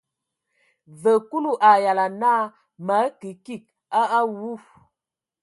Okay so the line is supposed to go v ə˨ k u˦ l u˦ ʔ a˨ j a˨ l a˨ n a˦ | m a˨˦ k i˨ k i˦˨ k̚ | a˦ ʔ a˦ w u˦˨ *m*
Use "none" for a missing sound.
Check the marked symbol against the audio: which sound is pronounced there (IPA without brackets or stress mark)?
none